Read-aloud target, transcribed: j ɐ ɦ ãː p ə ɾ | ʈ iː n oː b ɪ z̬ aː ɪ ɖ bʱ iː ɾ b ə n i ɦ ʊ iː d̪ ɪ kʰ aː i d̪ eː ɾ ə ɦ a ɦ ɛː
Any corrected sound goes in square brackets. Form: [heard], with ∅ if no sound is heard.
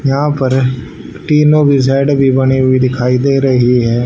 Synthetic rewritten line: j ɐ ɦ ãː p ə ɾ | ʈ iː n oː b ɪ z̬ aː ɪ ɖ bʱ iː [∅] b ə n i ɦ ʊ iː d̪ ɪ kʰ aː i d̪ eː ɾ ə ɦ [i] ɦ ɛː